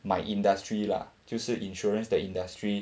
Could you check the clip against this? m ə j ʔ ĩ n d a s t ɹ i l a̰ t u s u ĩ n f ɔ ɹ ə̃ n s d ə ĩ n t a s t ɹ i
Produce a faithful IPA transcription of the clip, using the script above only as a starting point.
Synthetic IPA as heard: m a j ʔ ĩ n d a s t ɹ i l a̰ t u s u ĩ n ʃ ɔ ɹ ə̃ n s d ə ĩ n d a s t ɹ i